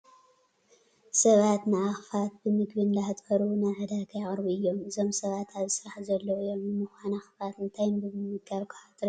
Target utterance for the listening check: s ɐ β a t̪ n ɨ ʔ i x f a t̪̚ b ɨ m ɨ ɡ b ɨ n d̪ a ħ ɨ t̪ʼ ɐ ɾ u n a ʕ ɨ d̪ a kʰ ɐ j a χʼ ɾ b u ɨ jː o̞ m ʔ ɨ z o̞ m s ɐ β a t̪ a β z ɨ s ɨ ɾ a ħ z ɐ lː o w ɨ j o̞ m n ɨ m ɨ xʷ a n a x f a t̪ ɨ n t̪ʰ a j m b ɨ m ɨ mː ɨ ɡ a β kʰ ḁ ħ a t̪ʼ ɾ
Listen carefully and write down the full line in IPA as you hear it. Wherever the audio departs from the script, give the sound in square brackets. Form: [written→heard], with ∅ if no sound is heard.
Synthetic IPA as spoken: s ɐ β a t̪ n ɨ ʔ [i→a] x f a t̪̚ b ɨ m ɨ ɡ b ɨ n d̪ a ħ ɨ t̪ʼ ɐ ɾ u n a ʕ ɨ d̪ a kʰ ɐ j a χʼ ɾ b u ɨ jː o̞ m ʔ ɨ z o̞ m s ɐ β a t̪ a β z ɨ s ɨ ɾ a ħ z ɐ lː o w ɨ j o̞ m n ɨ m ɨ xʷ a n a x f a t̪ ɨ n t̪ʰ a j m b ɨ m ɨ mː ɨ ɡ a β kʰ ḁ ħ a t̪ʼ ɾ